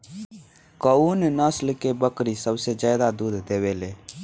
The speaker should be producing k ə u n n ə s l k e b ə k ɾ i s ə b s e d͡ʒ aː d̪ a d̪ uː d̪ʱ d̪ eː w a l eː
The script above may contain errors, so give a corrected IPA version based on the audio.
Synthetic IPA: k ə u n n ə s l k e b ə k ɾ i s ə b s e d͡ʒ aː d̪ a d̪ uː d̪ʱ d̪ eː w e l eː